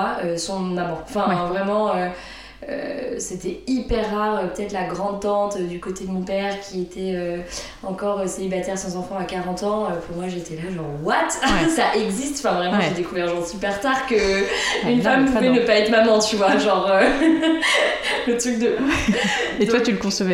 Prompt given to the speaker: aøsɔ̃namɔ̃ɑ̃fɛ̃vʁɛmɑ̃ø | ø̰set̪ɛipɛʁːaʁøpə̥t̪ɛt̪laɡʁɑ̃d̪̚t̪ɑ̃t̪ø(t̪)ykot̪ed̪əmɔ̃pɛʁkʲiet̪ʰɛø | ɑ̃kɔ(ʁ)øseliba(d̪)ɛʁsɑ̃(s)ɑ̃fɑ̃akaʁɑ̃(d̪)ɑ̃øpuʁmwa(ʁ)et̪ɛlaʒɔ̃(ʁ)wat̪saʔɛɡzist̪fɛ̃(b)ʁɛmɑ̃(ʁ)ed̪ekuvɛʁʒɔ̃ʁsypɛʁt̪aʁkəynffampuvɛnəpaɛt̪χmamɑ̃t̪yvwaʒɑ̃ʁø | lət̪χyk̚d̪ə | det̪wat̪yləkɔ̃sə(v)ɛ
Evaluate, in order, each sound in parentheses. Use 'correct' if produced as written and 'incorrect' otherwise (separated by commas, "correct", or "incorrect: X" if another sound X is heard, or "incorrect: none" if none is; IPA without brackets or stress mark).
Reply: incorrect: d̪, correct, incorrect: t̪, incorrect: z, incorrect: t̪, incorrect: ʒ, correct, incorrect: v, incorrect: ʒ, correct